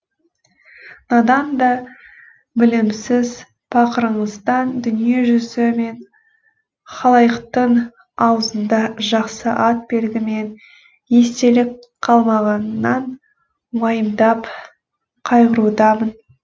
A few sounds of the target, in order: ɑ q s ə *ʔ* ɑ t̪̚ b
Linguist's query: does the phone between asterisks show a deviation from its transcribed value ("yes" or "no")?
no